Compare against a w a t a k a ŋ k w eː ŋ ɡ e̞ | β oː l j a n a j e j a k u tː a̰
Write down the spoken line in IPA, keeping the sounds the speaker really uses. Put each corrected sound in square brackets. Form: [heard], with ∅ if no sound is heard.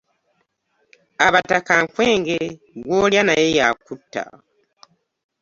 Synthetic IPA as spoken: a [β] a t a k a ŋ k w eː ŋ ɡ e̞ | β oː l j a n a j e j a k u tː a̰

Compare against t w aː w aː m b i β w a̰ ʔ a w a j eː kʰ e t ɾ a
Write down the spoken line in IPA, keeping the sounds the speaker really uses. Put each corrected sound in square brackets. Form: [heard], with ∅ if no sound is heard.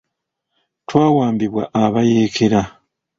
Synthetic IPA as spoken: t w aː w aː m b i β w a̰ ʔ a [β] a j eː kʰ e [∅] ɾ a

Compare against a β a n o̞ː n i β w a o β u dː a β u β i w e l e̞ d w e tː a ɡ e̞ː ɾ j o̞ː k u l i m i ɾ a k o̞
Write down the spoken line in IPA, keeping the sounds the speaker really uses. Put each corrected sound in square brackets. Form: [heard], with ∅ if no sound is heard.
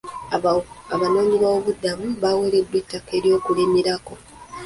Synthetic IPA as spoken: a β a n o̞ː [ɲ] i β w a o β u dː a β u β [a] w e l e̞ d w e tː a [k] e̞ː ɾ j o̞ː k u l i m i ɾ a k o̞

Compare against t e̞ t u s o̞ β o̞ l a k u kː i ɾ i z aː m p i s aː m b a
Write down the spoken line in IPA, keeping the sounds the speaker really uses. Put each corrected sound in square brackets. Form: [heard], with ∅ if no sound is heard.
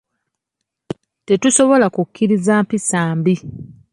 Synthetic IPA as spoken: t e̞ t u s o̞ β o̞ l a k u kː i ɾ i z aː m p i s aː m b [i]

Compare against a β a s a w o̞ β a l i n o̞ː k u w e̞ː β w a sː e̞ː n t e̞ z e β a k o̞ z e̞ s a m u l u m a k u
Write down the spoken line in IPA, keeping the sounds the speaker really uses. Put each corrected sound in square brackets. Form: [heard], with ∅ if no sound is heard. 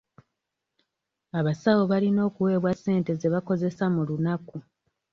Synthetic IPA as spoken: a β a s a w o̞ β a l i n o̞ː k u w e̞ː β w a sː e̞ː n t e̞ z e β a k o̞ z e̞ s a m u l u [n] a k u

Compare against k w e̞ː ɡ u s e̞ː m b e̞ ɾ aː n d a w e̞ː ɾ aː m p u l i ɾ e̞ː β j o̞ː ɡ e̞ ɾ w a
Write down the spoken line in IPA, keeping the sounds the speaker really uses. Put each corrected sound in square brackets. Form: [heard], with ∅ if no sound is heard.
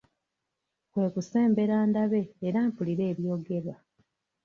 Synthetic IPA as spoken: k w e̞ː [k] u s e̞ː m b e̞ ɾ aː n d a [β] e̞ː ɾ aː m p u l i ɾ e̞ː β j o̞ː ɡ e̞ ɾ w a

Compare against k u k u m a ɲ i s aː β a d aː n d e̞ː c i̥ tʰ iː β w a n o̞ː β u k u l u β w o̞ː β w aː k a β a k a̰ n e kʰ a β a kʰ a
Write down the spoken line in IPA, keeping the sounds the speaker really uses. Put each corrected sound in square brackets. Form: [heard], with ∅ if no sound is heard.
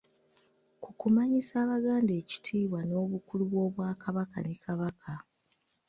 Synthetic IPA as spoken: k u k u m a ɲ i s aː β a [ɡ] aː n d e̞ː c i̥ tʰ iː β w a n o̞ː β u k u l u β w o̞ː β w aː k a β a k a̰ n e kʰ a β a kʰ a

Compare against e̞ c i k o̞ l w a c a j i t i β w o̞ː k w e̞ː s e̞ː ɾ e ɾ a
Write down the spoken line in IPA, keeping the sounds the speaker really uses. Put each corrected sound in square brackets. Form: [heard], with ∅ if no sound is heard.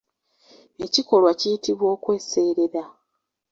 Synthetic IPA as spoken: e̞ c i k o̞ l w a c [i] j i t i β w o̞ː k w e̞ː s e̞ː ɾ e ɾ a

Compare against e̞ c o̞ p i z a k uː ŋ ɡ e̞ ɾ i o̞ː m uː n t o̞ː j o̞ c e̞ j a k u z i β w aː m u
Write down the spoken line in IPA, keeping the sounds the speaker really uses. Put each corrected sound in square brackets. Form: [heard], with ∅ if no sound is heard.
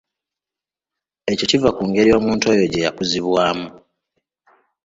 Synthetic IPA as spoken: e̞ c o̞ [c] i [v] a k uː ŋ ɡ e̞ ɾ i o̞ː m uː n t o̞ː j o̞ [ɟ] e̞ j a k u z i β w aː m u

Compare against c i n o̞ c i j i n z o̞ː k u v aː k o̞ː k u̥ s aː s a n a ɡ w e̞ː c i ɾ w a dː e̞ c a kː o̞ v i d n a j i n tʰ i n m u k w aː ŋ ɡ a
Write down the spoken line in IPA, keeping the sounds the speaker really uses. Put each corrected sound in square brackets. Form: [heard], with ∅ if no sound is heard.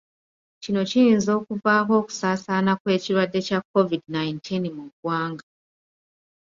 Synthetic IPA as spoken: c i n o̞ c i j i n z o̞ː k u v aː k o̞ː k u̥ s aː s a n a [k] w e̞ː c i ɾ w a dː e̞ c a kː o̞ v i d n a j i n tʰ i n m u [ɡ] w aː ŋ ɡ a

